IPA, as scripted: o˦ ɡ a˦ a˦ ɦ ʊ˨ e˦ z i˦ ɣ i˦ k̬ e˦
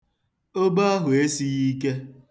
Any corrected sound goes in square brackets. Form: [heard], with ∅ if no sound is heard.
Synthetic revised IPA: o˦ [b] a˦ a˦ ɦ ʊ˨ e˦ [s] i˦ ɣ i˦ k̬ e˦